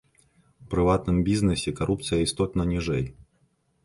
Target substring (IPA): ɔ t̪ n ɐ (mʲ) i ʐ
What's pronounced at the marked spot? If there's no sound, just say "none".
nʲ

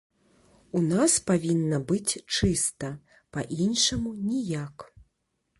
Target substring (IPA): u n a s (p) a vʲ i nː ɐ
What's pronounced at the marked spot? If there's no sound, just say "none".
p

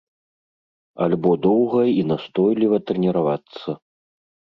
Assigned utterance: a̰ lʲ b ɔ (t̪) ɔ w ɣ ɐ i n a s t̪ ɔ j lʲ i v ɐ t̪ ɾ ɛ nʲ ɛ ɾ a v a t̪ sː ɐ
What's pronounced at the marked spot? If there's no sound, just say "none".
d̪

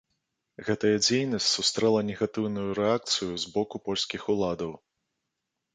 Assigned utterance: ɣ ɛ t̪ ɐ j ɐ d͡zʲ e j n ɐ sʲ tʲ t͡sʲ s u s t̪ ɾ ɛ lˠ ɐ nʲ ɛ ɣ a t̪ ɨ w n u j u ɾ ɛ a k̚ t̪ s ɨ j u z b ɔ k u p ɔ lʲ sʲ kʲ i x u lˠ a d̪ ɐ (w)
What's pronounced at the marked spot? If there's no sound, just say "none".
w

